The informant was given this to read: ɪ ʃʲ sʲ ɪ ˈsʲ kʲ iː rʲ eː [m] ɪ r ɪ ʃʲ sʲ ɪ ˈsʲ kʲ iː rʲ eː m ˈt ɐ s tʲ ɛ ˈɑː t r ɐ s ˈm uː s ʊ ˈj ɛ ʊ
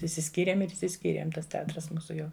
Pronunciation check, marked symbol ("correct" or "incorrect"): correct